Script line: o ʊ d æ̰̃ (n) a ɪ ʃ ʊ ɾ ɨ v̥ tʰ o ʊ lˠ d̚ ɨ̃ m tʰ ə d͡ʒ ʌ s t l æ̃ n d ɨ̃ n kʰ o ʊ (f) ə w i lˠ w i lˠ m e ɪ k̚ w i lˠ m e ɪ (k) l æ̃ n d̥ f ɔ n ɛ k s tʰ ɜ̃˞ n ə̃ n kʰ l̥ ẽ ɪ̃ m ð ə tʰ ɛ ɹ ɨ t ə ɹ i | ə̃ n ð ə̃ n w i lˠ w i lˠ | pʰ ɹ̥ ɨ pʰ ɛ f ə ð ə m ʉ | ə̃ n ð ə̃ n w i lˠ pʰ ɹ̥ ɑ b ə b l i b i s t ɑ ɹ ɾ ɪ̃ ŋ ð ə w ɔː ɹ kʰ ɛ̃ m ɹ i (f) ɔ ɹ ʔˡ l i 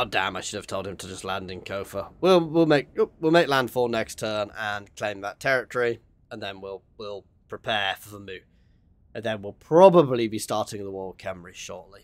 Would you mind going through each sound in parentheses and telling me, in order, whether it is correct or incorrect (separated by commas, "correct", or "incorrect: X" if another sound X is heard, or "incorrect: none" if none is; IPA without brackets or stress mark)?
incorrect: m, correct, correct, incorrect: ʃ